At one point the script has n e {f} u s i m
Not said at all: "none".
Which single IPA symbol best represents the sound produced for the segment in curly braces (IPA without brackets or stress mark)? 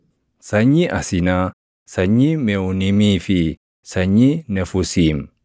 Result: f